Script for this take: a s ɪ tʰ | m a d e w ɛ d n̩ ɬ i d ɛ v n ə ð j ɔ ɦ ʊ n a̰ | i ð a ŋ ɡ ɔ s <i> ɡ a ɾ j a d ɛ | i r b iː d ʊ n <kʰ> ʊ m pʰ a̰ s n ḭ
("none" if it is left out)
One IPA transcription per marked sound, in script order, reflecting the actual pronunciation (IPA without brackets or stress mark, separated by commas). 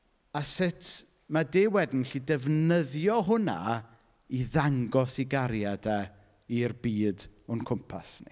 i, kʰ